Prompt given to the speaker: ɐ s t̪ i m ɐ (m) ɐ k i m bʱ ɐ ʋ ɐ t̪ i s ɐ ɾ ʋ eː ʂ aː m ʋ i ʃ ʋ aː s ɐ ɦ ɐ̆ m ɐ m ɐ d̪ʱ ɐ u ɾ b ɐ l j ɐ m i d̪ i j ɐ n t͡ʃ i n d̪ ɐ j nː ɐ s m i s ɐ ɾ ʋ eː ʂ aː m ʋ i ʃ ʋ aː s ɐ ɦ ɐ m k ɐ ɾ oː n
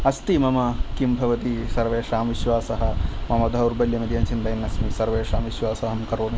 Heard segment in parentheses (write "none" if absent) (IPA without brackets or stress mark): m